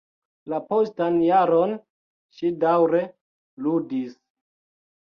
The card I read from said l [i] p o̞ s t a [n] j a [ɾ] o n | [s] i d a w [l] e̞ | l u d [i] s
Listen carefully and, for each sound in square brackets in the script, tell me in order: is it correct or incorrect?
incorrect: a, correct, correct, incorrect: ʃ, incorrect: ɾ, correct

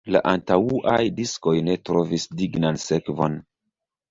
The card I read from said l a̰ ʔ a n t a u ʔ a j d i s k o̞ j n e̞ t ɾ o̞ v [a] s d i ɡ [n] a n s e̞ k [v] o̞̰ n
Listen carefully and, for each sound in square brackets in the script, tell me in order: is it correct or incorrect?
incorrect: i, correct, correct

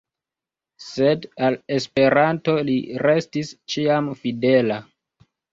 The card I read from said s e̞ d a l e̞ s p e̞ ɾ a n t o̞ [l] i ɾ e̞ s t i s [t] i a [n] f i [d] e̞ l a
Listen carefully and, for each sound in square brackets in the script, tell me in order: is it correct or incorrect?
correct, incorrect: t͡ʃ, incorrect: m, correct

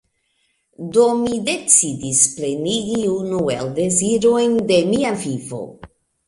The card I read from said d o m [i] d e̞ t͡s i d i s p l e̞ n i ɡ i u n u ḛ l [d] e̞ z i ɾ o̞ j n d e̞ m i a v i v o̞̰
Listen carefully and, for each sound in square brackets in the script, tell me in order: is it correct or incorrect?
correct, correct

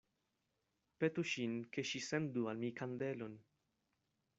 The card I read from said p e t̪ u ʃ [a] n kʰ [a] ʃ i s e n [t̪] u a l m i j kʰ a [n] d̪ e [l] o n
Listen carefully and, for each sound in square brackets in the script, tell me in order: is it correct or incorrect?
incorrect: i, incorrect: e, incorrect: d̪, correct, correct

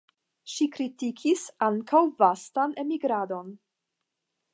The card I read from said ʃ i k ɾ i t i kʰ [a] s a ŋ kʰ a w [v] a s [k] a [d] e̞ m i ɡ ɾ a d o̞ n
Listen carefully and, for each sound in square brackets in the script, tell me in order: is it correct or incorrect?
incorrect: i, correct, incorrect: t, incorrect: n

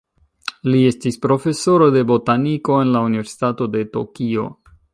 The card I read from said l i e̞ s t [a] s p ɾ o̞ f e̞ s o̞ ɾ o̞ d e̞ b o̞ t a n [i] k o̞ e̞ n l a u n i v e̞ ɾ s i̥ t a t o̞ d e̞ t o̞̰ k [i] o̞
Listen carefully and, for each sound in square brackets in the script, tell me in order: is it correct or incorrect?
incorrect: i, correct, correct

